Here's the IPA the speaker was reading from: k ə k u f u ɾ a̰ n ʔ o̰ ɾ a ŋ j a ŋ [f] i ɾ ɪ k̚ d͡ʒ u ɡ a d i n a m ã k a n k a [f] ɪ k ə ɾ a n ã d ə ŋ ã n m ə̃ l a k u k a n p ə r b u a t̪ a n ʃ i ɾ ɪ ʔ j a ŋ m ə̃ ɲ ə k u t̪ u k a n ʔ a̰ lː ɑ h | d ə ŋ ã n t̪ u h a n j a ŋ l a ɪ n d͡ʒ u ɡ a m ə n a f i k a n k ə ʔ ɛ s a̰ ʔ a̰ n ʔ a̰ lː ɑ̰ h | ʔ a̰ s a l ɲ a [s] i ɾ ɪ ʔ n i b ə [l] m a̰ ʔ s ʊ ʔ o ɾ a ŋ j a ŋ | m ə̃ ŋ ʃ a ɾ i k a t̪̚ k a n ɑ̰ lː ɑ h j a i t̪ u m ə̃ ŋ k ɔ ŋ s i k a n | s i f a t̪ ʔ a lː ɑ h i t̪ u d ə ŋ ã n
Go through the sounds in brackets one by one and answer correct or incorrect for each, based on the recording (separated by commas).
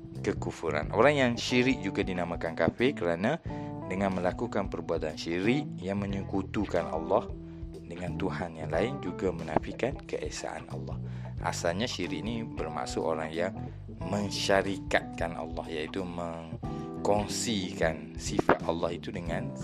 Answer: incorrect, correct, incorrect, incorrect